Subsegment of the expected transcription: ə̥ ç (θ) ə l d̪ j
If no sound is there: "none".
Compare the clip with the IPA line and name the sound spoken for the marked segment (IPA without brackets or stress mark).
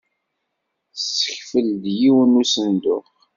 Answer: f